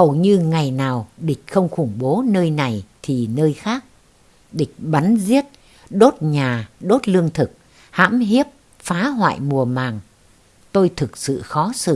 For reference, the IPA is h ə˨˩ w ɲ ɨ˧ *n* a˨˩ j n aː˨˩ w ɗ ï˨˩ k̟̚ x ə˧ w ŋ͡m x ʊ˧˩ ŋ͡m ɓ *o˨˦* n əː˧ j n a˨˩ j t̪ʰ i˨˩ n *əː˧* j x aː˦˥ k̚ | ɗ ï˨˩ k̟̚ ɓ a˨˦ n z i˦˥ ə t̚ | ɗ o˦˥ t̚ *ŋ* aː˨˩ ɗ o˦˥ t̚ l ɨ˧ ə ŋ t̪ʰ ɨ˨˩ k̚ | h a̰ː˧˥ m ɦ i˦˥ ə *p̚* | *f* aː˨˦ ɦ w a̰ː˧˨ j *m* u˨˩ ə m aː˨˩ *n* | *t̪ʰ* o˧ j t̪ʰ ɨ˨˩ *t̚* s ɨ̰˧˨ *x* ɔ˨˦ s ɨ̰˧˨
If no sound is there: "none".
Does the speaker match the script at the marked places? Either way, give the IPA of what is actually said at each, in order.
ŋ, o˨˦, əː˧, ɲ, p̚, f, m, ŋ, t̪, k̚, x

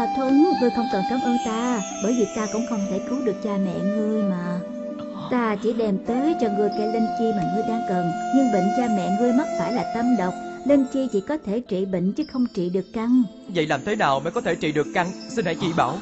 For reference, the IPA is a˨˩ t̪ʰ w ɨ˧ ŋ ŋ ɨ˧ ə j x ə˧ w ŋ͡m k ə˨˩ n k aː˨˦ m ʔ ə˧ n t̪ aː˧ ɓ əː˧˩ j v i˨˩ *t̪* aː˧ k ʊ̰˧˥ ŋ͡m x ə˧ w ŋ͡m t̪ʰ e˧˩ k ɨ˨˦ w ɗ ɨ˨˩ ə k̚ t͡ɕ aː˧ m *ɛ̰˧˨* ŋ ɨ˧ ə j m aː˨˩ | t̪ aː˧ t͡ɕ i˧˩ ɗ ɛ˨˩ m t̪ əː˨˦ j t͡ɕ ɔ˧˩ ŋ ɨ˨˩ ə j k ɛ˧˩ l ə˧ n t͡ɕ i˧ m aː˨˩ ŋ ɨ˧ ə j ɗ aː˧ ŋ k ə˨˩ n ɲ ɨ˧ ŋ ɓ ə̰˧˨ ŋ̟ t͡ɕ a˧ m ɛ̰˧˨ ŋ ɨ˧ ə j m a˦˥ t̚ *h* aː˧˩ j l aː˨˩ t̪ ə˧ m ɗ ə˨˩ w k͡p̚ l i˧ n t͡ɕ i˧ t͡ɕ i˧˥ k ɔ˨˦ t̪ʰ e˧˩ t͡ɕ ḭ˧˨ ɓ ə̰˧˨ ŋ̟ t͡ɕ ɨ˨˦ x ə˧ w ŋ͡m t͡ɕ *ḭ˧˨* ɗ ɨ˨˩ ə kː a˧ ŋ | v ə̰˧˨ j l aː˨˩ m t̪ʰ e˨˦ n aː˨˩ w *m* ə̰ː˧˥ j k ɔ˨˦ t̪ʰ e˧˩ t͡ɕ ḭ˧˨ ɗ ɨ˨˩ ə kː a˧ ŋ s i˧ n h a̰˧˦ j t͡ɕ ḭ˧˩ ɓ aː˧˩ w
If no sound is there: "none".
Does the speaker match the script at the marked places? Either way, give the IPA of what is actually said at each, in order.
t̪, ɛ̰˧˨, f, ḭ˧˨, m

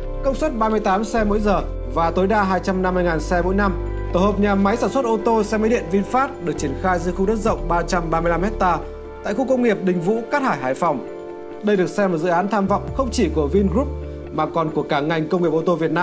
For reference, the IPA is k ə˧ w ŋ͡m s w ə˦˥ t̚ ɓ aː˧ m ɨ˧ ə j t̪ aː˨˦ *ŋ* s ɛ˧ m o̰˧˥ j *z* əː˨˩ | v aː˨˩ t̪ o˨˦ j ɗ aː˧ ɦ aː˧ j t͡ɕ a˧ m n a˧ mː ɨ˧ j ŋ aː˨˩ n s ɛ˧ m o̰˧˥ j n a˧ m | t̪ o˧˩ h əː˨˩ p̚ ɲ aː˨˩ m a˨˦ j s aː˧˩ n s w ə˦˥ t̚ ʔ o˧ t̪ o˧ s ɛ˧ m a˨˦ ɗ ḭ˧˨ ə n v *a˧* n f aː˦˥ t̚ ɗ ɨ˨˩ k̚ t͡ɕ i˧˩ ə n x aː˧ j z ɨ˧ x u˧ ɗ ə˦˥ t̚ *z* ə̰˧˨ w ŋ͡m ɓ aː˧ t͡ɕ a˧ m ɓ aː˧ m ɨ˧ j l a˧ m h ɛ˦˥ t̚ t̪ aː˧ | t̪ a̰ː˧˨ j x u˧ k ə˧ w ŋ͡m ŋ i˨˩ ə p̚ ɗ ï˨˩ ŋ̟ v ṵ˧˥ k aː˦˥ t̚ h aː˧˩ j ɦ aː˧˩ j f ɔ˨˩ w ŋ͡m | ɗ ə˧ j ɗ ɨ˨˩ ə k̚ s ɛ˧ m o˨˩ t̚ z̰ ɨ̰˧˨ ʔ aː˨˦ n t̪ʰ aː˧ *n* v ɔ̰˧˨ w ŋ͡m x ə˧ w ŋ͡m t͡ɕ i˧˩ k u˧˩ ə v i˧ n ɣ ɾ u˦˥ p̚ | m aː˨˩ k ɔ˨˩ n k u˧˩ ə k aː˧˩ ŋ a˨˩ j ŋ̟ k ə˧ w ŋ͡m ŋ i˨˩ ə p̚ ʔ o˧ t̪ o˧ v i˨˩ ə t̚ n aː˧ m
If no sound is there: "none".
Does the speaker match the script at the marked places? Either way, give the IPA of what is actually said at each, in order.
m, z, i˧, z, m

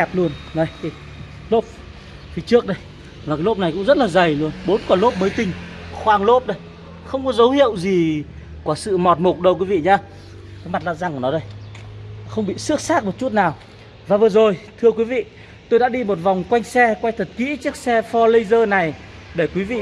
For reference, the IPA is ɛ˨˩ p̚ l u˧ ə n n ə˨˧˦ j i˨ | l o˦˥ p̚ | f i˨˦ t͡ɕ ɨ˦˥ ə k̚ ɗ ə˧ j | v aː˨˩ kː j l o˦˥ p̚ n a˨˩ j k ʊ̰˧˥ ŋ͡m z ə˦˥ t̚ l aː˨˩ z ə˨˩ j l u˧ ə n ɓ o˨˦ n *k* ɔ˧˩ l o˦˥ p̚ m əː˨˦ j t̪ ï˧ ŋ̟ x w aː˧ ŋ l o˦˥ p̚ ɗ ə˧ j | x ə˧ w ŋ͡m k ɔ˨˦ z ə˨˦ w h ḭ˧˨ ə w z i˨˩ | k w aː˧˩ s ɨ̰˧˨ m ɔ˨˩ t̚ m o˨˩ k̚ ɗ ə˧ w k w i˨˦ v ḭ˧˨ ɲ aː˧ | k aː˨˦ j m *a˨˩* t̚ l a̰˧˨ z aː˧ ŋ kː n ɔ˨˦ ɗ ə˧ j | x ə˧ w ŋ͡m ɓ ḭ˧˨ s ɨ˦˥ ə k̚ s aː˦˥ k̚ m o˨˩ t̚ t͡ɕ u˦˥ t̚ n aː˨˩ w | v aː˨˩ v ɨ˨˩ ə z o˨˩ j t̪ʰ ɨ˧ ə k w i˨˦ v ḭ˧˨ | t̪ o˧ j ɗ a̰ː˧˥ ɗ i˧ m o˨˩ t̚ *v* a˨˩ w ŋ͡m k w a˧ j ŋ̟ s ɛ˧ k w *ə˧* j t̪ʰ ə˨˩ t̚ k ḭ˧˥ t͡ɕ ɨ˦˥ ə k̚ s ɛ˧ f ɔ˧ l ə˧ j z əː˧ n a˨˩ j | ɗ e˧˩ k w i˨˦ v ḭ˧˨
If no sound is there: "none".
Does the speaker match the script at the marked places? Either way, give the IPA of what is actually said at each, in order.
k, a˨˩, v, a˧

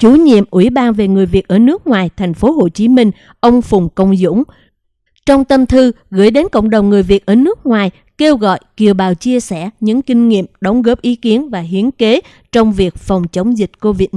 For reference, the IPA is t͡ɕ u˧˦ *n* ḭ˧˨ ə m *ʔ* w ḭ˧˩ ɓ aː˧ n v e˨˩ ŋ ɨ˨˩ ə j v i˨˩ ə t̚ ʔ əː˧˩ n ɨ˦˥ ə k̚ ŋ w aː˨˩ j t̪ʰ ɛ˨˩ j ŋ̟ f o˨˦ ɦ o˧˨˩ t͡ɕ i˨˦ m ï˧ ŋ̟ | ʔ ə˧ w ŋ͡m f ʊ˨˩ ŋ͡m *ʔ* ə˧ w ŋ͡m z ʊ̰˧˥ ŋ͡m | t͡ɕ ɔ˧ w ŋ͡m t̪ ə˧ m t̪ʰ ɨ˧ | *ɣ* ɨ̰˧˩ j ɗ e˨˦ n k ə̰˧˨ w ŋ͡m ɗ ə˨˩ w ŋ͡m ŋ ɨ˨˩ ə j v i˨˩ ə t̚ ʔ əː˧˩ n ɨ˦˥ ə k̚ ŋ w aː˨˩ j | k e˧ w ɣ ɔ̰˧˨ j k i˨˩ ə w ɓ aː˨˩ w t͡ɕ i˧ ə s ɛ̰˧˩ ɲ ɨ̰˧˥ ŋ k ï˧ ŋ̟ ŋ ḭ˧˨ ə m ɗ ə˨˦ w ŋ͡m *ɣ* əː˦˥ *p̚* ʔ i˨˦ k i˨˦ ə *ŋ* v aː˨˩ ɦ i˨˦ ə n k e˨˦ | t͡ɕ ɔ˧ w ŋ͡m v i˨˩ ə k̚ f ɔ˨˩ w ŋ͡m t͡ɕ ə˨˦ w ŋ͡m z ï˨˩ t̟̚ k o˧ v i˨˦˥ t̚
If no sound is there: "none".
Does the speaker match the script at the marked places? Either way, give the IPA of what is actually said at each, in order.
ɲ, ʔ, k, ɣ, ɣ, p̚, n

